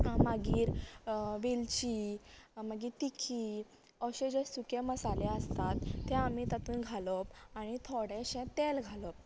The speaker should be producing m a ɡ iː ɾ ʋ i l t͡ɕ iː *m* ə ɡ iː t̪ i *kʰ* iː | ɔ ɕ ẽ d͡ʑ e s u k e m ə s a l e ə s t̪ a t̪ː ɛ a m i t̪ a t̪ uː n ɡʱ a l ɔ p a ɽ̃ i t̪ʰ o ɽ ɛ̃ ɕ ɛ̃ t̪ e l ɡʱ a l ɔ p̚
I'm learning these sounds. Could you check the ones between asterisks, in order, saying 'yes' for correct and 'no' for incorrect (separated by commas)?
yes, yes